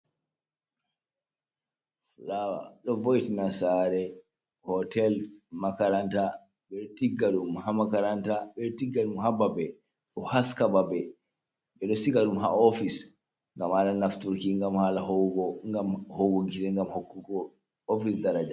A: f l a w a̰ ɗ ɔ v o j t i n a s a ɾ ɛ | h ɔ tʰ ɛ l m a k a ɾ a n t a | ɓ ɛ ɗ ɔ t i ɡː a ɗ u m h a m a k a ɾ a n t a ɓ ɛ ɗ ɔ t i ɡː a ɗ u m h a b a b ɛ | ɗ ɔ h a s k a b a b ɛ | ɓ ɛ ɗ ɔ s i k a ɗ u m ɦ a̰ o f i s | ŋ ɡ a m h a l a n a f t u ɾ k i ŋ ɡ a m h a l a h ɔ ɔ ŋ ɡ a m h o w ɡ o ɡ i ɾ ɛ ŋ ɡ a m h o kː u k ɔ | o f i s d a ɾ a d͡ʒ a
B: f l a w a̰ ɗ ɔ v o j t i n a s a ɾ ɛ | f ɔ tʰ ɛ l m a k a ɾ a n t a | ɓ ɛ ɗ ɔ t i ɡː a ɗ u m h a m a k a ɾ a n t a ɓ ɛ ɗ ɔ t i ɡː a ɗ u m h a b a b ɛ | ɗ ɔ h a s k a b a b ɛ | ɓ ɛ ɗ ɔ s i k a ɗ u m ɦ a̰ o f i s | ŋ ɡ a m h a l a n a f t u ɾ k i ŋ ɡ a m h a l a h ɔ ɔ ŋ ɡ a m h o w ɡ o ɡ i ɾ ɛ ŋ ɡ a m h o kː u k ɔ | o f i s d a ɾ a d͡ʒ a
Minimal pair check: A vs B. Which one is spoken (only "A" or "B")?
A